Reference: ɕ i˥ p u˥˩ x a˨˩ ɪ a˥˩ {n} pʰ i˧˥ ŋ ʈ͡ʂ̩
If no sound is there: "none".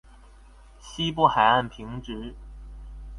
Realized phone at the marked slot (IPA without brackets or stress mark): n